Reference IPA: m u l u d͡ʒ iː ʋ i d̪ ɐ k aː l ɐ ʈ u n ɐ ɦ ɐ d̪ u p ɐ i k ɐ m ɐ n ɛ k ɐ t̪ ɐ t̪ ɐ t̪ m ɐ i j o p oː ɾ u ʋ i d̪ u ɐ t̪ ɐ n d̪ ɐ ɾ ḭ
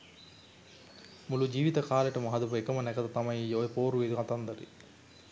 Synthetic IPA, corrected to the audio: m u l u d͡ʒ iː ʋ i t̪ ɐ k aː l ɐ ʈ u m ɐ ɦ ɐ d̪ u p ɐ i k ɐ m ɐ n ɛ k ɐ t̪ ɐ t̪ ɐ m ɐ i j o p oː ɾ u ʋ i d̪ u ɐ t̪ ɐ n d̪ ɐ ɾ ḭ